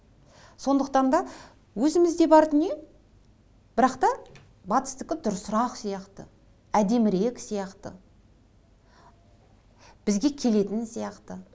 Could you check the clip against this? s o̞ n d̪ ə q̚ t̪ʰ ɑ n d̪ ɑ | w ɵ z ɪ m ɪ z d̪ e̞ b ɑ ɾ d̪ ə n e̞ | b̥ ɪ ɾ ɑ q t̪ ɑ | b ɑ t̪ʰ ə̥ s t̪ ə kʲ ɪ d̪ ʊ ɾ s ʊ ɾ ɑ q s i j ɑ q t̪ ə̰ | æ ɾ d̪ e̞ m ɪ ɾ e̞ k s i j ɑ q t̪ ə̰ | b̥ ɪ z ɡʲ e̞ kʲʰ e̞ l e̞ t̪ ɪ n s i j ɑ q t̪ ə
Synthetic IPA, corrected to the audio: s o̞ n d̪ ə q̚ t̪ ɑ n d̪ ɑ | w ɵ z ɪ m ɪ z d̪ e̞ b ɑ ɾ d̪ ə n e̞ | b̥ ɪ ɾ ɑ q t̪ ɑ | b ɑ t̪ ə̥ s t̪ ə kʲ ɪ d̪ ʊ ɾ s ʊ ɾ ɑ q s i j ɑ q t̪ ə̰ | æ d̪ e̞ m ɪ ɾ e̞ k s i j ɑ q t̪ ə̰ | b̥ ɪ z ɡʲ e̞ kʲʰ e̞ l e̞ t̪ ɪ n s i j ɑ q t̪ ə